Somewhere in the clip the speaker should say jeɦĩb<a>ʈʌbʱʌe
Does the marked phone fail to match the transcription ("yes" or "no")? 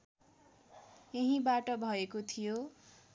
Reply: no